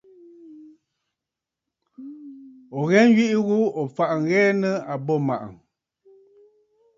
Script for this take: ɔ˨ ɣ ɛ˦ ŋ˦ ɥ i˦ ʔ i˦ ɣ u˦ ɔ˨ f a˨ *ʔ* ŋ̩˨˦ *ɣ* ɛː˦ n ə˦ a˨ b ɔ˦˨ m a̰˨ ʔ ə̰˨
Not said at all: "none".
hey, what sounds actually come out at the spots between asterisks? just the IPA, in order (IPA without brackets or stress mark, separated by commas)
ʔ, ɣ